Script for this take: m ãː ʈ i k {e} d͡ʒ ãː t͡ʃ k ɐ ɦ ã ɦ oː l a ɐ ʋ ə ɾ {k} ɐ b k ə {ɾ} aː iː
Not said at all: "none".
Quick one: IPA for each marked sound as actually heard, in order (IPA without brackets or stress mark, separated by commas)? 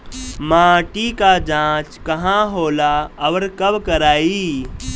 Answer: a, k, ɾ